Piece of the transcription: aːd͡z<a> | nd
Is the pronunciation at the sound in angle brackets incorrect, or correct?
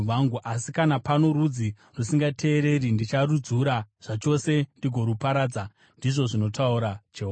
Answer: correct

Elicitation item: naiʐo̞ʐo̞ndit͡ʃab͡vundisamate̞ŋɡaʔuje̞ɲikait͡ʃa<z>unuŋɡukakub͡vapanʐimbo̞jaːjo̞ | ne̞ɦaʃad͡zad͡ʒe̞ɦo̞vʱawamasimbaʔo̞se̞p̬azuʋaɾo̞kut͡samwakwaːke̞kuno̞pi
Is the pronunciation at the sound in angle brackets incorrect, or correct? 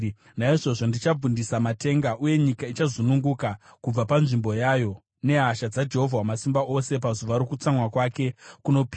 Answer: correct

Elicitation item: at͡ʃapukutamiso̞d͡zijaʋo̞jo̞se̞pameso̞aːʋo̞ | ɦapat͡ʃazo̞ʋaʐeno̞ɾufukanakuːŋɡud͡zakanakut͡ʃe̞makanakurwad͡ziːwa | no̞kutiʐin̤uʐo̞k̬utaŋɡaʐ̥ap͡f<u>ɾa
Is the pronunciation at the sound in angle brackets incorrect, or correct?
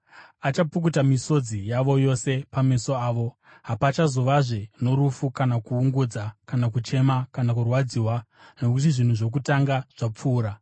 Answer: incorrect: uː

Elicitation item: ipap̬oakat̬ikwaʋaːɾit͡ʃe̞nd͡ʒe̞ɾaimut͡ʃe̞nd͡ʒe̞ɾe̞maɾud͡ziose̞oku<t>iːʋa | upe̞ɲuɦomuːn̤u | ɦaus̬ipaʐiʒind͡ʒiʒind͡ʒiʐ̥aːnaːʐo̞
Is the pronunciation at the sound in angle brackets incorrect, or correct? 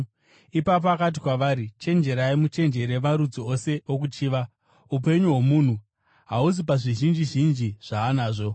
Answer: incorrect: t͡ʃ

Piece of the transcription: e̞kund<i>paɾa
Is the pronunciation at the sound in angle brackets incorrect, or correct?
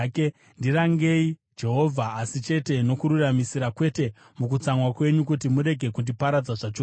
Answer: correct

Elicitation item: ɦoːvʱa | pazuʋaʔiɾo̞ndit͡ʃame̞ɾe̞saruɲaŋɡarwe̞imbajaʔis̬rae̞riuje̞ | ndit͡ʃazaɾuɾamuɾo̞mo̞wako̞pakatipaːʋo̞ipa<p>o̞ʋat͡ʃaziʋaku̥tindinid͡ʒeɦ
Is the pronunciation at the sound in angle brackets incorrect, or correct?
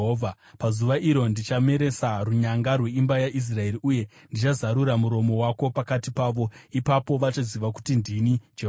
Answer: correct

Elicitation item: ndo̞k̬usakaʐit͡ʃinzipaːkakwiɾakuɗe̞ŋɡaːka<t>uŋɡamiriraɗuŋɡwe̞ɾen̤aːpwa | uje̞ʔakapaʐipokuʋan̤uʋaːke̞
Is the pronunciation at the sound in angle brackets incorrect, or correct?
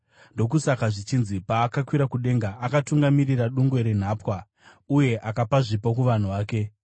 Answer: correct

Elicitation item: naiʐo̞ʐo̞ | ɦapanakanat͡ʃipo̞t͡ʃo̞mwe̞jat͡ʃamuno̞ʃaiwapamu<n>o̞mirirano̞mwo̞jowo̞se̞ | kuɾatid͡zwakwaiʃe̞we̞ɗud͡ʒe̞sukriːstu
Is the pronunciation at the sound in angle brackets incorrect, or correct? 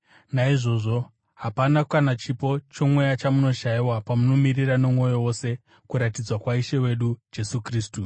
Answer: correct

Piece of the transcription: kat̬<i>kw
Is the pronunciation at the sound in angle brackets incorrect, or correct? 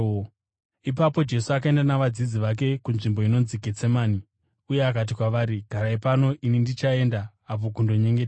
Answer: correct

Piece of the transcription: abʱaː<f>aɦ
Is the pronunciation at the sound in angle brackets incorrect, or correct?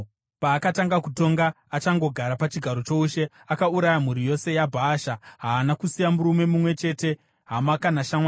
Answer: incorrect: ʃ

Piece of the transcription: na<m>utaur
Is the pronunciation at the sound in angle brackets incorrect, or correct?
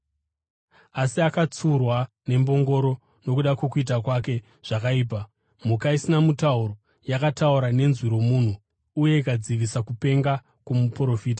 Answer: correct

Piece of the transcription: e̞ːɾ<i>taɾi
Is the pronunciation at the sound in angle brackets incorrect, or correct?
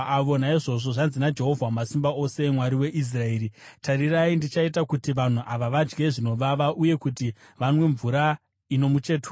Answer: correct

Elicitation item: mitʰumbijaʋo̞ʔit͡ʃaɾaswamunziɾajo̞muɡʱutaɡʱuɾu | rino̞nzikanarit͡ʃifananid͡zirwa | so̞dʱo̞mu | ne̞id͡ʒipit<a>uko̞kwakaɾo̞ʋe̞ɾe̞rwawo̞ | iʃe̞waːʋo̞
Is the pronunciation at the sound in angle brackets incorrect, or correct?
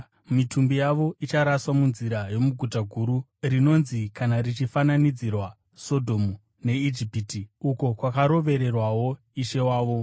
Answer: incorrect: i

